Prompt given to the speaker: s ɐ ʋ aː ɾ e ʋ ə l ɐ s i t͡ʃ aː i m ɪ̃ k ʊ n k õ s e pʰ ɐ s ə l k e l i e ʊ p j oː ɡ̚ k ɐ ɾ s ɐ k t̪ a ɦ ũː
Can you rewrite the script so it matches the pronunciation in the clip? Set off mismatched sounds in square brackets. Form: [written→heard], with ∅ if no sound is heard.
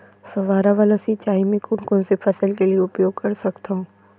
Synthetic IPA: s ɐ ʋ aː ɾ [e→a] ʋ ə l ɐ s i t͡ʃ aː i m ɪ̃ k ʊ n k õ s e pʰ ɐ s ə l k e l i e ʊ p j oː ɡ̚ k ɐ ɾ s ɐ k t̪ a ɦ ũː